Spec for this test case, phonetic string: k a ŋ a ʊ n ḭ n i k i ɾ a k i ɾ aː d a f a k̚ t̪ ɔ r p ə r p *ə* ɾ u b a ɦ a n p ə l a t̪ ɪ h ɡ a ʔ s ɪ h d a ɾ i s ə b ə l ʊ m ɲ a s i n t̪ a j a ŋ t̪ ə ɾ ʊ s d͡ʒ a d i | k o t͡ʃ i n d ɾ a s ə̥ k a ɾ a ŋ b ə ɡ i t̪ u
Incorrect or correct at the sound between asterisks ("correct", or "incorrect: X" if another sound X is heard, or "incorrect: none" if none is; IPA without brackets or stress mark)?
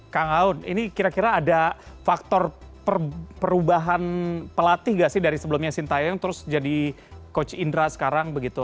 correct